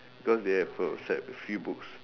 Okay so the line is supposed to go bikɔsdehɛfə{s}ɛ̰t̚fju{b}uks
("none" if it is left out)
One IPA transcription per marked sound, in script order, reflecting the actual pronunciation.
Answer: s, b

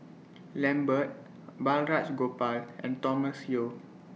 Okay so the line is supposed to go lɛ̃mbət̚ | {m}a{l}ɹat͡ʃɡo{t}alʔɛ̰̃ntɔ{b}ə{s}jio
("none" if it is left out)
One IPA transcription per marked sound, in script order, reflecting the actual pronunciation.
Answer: b, l, p, m, s

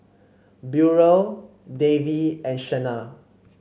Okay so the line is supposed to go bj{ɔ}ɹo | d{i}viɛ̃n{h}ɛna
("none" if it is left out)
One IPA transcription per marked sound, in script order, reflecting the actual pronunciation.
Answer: u, e, ʃ

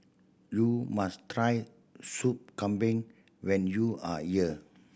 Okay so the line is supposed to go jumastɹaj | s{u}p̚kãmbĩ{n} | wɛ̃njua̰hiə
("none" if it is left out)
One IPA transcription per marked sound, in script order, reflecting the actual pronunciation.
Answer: u, ŋ

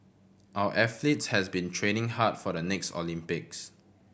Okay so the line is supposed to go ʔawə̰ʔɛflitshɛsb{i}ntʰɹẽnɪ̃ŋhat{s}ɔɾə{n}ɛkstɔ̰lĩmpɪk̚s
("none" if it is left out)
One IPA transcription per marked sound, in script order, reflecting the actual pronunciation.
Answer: ĩ, f, n

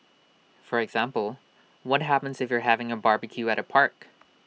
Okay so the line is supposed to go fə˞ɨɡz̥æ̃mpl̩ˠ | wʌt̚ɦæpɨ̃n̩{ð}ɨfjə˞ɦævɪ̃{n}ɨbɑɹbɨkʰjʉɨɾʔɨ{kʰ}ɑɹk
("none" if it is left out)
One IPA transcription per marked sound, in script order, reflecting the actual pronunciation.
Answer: z, ŋ, pʰ

